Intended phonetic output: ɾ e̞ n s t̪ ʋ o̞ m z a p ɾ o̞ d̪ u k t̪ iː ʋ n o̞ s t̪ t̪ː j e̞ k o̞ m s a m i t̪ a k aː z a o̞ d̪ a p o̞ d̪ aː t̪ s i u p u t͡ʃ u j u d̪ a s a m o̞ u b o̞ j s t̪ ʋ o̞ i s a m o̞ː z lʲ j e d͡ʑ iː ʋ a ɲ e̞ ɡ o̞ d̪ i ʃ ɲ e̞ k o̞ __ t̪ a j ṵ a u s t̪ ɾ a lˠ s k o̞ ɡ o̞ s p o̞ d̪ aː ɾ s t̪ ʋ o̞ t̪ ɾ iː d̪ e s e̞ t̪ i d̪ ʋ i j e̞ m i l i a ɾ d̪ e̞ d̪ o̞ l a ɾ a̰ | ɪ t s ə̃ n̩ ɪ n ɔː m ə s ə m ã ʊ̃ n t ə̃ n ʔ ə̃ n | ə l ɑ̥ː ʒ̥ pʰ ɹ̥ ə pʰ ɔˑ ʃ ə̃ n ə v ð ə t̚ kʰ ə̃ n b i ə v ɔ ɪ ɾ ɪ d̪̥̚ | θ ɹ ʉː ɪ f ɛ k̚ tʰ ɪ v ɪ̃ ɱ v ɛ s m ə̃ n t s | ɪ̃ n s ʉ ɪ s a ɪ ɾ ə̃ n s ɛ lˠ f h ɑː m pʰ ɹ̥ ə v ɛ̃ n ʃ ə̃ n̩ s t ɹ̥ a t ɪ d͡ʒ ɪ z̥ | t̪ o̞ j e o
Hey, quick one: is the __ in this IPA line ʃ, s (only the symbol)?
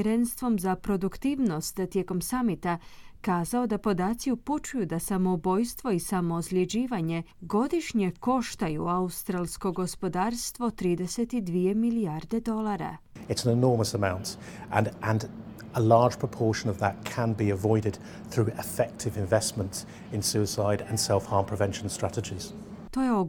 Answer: ʃ